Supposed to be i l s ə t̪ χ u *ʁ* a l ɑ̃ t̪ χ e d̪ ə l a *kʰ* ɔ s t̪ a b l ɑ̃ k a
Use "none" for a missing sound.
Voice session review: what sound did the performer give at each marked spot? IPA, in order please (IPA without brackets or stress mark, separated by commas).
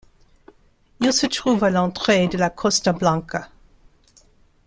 v, kʰ